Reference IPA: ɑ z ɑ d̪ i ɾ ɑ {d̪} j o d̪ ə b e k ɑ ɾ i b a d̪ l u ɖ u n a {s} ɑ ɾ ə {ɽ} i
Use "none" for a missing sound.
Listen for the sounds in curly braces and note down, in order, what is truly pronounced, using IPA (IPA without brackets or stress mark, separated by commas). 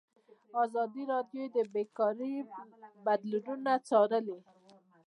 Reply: d̪, t͡s, l